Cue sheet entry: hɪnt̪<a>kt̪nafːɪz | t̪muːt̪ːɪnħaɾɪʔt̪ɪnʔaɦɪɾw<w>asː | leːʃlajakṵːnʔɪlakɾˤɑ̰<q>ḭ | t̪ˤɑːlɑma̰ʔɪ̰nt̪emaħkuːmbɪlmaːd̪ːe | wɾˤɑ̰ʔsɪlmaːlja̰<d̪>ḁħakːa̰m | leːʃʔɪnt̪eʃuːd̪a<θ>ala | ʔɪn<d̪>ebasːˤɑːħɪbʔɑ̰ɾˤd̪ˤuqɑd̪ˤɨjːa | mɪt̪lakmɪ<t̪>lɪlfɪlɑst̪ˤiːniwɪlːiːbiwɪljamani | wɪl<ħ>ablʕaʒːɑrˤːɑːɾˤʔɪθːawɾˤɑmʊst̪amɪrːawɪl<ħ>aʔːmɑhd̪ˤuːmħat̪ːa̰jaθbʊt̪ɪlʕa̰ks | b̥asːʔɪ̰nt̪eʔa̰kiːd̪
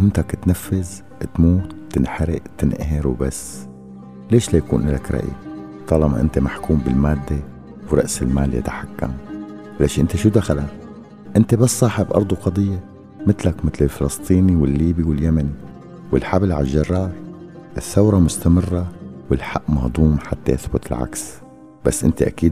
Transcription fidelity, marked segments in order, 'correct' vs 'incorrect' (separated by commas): correct, incorrect, incorrect, incorrect, incorrect, incorrect, correct, correct, correct